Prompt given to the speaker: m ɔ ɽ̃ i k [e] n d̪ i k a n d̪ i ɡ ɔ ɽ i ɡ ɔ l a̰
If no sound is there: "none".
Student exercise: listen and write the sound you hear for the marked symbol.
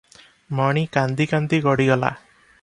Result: a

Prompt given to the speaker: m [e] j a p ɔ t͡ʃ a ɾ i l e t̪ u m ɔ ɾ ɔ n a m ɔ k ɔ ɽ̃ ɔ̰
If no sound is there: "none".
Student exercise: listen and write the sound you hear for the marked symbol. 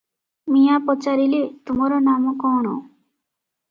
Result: i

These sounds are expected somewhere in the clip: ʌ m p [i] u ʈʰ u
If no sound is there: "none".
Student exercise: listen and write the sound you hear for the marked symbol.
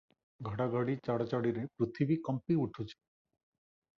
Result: i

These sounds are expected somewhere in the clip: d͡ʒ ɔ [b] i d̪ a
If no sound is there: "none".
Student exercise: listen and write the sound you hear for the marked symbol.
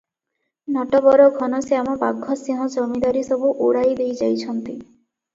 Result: m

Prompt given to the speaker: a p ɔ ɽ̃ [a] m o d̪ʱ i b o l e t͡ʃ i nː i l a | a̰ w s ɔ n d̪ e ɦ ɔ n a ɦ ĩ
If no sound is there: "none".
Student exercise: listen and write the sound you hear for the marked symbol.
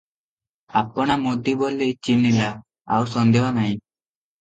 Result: a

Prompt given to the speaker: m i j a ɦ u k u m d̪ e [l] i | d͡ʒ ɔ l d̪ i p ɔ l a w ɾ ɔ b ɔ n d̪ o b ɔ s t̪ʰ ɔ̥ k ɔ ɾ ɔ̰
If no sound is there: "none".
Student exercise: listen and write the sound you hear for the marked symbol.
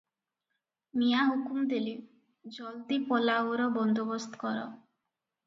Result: l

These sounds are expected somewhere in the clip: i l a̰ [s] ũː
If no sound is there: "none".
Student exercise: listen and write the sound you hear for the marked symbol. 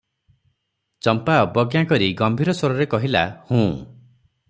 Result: h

